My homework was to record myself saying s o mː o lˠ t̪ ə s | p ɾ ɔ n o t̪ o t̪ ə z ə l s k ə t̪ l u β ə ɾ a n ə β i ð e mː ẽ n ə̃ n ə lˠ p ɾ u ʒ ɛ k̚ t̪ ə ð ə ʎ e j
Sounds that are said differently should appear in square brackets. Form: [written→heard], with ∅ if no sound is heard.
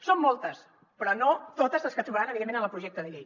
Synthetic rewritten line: s o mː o lˠ t̪ ə s | p ɾ ɔ n o t̪ o t̪ ə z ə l s k ə t̪ [l→ɾ] u β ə ɾ a n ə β i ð e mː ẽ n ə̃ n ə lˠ p ɾ u ʒ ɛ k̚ t̪ ə ð ə ʎ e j